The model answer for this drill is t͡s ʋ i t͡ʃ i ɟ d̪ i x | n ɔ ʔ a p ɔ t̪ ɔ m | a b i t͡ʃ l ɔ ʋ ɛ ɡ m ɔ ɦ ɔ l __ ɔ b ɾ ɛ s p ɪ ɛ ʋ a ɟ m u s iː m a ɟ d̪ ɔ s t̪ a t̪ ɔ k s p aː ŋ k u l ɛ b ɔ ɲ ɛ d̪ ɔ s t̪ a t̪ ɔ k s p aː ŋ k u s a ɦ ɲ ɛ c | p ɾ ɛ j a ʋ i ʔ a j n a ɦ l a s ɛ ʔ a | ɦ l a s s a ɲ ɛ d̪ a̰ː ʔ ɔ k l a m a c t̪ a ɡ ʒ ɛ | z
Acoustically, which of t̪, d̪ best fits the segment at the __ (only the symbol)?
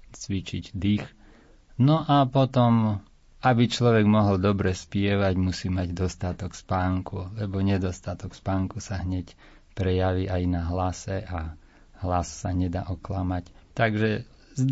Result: d̪